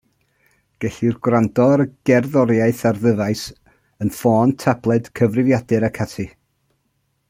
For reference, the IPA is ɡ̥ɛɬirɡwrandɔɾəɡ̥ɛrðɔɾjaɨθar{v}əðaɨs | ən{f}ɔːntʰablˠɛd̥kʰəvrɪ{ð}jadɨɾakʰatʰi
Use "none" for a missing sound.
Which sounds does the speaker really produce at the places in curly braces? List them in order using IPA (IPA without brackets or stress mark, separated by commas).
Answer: ð, f, v